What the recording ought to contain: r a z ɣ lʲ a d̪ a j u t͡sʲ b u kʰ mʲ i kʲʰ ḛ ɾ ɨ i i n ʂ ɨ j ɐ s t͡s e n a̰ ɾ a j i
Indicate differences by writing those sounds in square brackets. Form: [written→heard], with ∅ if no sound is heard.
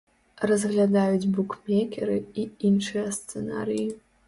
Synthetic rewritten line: r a z ɣ lʲ a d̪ a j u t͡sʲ b u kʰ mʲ [i→e] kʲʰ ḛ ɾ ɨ i i n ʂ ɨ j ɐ s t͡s e n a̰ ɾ [a→i] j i